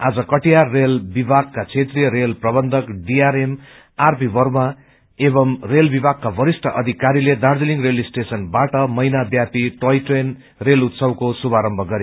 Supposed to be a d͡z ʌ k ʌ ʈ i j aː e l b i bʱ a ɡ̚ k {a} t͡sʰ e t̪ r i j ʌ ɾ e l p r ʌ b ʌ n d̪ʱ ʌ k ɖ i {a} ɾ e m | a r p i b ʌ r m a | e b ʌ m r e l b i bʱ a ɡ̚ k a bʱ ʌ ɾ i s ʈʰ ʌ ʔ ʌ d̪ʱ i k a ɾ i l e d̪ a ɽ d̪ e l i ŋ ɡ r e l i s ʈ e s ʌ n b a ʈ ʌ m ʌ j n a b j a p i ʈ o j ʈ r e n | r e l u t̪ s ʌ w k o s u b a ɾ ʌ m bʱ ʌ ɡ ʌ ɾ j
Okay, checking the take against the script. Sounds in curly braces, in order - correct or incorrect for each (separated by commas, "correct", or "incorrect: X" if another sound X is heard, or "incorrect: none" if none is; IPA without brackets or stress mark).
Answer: correct, correct